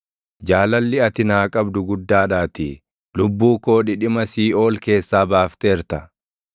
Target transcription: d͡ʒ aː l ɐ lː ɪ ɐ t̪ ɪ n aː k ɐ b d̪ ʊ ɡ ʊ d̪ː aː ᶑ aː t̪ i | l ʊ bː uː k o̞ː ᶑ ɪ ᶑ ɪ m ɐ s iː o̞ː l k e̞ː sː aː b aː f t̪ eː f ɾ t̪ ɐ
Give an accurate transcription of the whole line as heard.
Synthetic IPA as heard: d͡ʒ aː l ɐ lː ɪ ɐ t̪ ɪ n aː kʼ ɐ b d̪ ʊ ɡ ʊ d̪ː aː ᶑ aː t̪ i | l ʊ bː uː k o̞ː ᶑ ɪ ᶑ ɪ m ɐ s iː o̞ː l k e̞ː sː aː b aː f t̪ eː ɾ t̪ ɐ